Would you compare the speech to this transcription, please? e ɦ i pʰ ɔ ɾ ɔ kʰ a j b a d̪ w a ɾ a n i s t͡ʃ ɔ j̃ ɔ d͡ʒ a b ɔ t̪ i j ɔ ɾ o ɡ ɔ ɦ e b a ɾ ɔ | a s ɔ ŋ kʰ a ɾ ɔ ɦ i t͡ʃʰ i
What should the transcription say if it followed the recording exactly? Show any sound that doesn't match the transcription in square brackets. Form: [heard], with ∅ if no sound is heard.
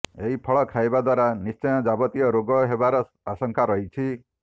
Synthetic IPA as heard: e ɦ i pʰ ɔ [ɭ] ɔ kʰ a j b a d̪ w a ɾ a n i s t͡ʃ ɔ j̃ ɔ d͡ʒ a b ɔ t̪ i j ɔ ɾ o ɡ ɔ ɦ e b a ɾ ɔ | a s ɔ ŋ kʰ a ɾ ɔ ɦ i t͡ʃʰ i